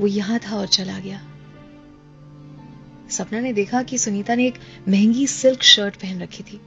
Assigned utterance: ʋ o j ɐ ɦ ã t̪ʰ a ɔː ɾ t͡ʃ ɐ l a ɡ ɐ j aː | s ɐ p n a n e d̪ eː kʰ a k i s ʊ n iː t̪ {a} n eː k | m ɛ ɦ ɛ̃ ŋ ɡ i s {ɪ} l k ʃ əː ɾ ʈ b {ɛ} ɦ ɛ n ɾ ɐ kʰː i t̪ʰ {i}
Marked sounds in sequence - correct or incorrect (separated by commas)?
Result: correct, correct, correct, incorrect